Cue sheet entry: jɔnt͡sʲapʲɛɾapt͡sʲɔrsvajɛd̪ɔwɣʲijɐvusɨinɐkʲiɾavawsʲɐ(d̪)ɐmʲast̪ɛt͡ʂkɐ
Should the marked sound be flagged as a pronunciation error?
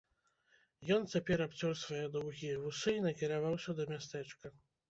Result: no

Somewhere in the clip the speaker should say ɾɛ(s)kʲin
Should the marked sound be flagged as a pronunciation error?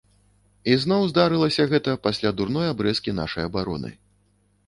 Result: no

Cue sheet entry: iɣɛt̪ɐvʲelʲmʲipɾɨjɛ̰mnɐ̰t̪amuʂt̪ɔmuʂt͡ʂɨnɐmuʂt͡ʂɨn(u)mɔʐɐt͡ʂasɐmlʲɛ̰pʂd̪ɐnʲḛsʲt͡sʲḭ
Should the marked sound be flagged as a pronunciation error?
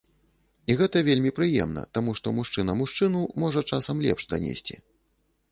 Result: no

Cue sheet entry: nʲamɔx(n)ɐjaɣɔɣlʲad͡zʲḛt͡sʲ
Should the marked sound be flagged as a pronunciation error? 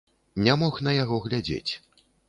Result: no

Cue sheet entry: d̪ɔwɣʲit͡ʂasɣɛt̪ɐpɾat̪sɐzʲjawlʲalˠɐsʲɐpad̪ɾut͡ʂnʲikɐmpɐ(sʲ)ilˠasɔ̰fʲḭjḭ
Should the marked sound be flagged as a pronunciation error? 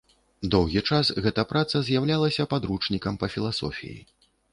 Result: yes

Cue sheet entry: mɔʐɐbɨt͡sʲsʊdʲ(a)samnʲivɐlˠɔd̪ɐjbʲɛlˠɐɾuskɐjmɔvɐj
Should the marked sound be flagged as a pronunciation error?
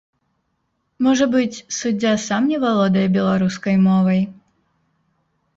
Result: no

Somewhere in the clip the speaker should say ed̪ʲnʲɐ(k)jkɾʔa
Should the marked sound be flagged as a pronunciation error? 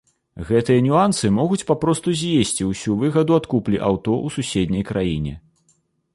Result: yes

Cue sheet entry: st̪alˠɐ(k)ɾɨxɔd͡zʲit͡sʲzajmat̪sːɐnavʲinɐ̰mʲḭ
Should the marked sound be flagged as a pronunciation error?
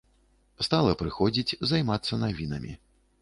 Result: yes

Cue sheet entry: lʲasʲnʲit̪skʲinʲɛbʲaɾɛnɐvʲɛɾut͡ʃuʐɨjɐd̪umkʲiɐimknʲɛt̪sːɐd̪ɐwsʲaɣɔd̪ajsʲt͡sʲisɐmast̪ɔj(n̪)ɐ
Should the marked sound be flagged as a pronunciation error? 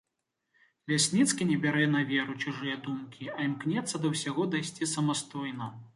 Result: no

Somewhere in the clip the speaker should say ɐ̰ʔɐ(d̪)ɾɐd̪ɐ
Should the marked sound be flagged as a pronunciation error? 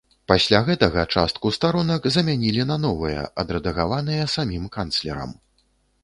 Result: no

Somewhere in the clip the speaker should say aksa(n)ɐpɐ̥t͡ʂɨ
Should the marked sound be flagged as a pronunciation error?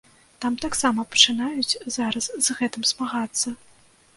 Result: yes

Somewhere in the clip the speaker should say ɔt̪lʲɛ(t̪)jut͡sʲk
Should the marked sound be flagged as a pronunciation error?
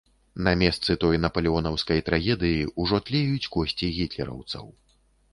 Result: yes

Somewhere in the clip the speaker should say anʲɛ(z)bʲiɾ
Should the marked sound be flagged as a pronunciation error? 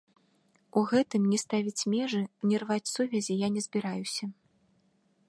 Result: no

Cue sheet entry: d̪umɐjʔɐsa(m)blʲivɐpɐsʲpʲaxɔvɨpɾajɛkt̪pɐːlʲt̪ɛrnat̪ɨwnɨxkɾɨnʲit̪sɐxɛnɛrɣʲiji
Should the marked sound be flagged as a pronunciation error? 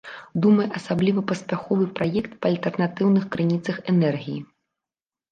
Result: yes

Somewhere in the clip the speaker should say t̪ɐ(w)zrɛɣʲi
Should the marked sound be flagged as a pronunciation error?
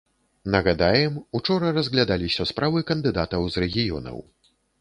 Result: no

